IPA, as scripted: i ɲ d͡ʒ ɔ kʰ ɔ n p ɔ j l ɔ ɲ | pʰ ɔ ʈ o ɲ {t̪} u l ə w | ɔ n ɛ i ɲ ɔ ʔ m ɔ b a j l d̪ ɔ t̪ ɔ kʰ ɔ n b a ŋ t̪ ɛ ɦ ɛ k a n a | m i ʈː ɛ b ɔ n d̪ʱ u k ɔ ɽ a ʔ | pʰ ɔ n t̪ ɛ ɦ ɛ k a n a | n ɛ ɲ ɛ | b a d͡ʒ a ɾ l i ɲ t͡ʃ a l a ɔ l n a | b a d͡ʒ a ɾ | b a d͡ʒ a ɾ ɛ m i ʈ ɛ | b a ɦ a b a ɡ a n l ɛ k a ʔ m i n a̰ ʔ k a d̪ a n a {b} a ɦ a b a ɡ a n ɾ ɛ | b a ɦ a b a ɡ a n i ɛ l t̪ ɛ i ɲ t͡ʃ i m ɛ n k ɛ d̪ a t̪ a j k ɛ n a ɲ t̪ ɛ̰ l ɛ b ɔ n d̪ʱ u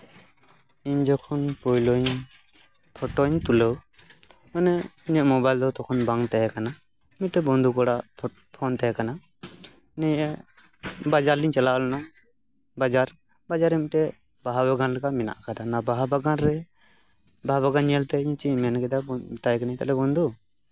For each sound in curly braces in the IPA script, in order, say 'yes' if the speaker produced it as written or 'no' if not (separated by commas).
yes, yes